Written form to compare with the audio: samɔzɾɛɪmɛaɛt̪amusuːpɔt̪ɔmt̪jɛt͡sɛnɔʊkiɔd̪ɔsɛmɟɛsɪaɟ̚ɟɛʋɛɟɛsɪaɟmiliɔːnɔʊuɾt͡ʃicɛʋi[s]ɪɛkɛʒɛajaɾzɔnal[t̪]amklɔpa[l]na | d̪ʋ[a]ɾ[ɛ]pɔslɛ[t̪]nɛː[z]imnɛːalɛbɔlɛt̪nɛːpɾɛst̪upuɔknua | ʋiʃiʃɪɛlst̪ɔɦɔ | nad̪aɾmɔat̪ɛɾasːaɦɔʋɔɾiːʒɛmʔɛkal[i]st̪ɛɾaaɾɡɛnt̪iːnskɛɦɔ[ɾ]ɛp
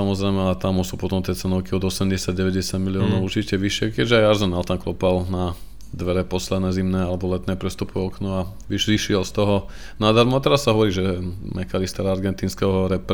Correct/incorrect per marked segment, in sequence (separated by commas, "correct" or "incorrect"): incorrect, correct, correct, incorrect, correct, incorrect, correct, correct, correct